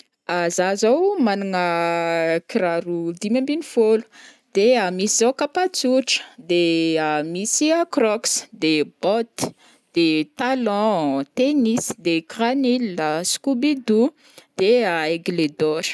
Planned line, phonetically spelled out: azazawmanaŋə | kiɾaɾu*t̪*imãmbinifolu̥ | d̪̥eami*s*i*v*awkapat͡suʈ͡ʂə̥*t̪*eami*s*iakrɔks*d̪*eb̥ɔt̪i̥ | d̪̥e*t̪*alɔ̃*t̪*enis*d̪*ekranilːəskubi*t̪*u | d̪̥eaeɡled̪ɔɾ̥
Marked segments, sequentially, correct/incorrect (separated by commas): incorrect, correct, incorrect, incorrect, correct, correct, correct, correct, correct, incorrect